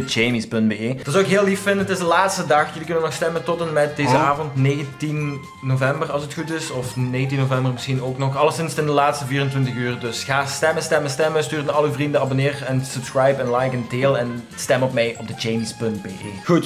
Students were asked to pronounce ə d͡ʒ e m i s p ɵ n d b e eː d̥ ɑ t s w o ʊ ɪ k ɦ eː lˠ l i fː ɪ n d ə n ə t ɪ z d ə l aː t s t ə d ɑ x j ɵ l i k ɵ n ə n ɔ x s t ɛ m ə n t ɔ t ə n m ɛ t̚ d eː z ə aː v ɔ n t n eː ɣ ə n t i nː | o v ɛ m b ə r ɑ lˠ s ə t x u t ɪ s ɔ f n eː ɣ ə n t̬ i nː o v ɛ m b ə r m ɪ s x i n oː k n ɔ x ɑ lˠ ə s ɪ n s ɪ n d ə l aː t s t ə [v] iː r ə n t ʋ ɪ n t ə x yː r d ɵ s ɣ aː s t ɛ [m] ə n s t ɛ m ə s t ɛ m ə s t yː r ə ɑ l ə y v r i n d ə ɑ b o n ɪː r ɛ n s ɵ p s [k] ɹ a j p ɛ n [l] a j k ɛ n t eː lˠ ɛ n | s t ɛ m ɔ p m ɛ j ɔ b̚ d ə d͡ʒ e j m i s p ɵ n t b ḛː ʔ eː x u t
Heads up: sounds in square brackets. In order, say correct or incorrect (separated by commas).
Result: correct, correct, correct, correct